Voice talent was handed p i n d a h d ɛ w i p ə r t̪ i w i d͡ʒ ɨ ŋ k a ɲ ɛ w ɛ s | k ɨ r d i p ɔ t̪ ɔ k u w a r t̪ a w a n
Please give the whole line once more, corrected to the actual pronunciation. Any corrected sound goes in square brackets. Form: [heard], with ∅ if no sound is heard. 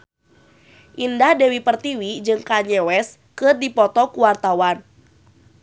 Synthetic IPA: [ʔ] i n d a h d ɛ w i p ə r t̪ i w i d͡ʒ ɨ ŋ k a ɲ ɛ w ɛ s | k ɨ r d i p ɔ t̪ ɔ k u w a r t̪ a w a n